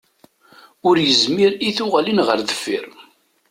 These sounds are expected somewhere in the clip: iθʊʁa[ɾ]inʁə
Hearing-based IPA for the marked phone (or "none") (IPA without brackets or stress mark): l